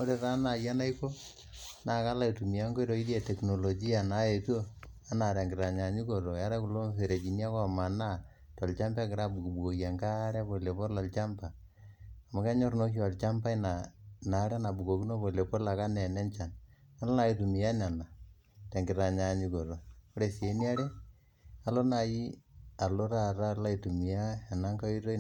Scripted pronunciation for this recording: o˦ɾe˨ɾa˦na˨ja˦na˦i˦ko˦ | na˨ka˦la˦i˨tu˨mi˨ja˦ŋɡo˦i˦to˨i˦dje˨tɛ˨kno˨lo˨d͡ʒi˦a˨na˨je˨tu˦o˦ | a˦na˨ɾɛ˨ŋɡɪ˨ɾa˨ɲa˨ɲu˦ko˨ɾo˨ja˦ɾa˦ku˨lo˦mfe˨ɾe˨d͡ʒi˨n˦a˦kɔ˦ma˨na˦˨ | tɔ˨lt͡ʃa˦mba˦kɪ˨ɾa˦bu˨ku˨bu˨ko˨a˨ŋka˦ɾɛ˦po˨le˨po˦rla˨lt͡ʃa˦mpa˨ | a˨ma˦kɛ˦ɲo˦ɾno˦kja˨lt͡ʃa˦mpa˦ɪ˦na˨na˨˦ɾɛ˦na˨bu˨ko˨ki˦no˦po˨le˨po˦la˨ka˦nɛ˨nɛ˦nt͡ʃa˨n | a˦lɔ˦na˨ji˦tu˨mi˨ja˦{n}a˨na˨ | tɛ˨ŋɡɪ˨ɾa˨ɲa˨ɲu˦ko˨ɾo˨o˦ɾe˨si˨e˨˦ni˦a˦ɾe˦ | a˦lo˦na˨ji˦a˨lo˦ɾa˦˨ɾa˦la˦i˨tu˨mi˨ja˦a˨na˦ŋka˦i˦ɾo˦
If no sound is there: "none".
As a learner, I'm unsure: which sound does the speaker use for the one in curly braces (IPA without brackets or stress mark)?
n